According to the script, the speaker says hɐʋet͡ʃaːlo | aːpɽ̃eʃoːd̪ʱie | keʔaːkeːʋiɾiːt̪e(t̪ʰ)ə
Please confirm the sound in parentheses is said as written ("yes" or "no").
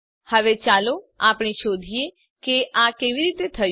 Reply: yes